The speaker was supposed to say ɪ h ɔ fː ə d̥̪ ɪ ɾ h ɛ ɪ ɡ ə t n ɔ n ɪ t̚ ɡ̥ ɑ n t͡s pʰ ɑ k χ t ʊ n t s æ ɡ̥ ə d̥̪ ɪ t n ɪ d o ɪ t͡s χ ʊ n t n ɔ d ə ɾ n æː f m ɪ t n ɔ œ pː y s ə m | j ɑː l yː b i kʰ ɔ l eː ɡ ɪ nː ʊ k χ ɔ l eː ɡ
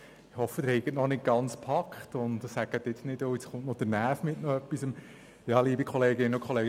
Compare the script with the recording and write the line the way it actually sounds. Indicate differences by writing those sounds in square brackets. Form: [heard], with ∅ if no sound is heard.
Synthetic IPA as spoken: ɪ h ɔ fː ə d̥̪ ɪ ɾ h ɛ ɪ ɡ ə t n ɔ n ɪ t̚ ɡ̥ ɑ n t͡s pʰ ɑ k χ t ʊ n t s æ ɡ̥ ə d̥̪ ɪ t n ɪ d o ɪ t͡s χ ʊ n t n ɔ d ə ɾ n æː f m ɪ t n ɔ œ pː [i] s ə m | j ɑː l [iː] b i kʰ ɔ l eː ɡ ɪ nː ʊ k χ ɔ l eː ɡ